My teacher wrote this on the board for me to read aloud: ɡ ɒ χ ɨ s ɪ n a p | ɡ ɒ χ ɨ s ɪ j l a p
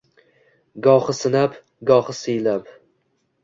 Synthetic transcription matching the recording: ɡ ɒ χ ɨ s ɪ n a p | ɡ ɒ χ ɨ s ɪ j l a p